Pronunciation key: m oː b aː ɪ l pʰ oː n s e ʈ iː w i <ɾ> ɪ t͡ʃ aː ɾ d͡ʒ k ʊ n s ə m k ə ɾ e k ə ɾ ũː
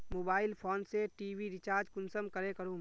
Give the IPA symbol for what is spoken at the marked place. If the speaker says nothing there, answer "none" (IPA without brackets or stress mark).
ɾ